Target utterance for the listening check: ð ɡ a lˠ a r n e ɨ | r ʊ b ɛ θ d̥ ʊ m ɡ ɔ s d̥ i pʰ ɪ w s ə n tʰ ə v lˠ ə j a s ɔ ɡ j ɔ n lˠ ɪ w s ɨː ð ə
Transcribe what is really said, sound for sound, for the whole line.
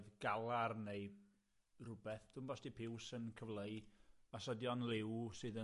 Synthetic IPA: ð ɡ a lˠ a r n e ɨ | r ʊ b ɛ θ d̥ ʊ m b ɔ s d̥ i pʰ ɪ w s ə n kʰ ə v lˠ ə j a s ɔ d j ɔ n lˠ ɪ w s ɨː ð ə